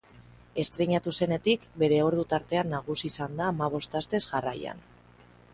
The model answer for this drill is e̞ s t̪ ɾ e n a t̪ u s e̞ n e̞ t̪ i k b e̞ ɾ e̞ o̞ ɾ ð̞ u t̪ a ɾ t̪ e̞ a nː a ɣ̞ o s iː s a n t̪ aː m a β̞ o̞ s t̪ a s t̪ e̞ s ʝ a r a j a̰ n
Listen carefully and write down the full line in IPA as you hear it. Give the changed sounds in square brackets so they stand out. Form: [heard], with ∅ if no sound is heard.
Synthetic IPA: e̞ s t̪ ɾ e [ɲ] a t̪ u s e̞ n e̞ t̪ i k b e̞ ɾ e̞ o̞ ɾ ð̞ u t̪ a ɾ t̪ e̞ a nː a ɣ̞ [u] s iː s a n [d̪] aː m a β̞ o̞ s t̪ a s t̪ e̞ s ʝ a r a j a̰ n